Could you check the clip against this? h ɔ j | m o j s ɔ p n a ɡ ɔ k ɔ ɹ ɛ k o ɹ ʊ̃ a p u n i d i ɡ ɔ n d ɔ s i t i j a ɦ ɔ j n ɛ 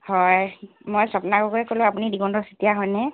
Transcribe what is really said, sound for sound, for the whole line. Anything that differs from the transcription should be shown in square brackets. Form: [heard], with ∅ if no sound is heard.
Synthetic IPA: h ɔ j | m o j s ɔ p n a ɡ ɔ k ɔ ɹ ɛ k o [l] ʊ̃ a p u n i d i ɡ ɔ n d ɔ s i t i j a ɦ ɔ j n ɛ